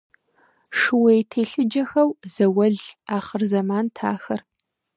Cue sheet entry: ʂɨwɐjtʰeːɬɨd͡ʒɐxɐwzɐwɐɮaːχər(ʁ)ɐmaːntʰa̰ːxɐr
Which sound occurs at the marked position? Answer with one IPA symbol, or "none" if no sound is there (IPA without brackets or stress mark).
z